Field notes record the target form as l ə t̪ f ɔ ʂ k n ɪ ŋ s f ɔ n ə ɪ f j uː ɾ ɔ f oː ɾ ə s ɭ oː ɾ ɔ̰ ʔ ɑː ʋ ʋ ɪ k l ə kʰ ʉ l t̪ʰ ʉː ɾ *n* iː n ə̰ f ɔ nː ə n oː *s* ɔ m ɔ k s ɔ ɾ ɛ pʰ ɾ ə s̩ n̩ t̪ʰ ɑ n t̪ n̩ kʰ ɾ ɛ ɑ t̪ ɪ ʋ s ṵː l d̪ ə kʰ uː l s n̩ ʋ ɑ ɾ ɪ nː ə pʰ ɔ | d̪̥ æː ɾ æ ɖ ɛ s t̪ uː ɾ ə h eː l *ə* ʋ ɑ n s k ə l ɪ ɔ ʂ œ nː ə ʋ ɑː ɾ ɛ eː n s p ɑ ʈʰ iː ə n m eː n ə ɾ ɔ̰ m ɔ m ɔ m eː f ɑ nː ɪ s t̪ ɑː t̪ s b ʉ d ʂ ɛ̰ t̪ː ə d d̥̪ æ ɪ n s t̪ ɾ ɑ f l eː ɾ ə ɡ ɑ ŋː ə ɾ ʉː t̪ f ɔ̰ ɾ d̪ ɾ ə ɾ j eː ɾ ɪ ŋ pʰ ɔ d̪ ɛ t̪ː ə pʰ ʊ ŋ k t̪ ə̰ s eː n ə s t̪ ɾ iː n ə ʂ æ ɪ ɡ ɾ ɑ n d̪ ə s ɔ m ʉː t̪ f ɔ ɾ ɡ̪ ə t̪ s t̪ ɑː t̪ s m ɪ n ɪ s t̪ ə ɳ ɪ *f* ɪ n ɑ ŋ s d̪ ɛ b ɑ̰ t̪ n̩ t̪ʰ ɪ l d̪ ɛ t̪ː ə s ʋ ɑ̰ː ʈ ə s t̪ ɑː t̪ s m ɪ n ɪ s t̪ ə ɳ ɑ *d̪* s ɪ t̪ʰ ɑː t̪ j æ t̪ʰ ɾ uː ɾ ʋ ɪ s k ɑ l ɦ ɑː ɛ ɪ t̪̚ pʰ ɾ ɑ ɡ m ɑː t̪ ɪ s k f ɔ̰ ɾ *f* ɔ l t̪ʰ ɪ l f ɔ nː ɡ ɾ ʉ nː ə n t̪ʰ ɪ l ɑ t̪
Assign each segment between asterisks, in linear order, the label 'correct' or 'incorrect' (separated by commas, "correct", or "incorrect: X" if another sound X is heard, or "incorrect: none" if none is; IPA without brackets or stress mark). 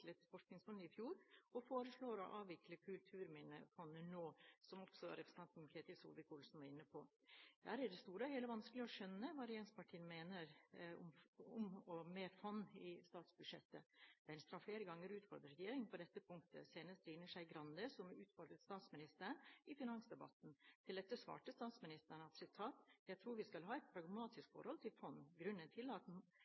incorrect: m, correct, correct, correct, incorrect: t̪, incorrect: h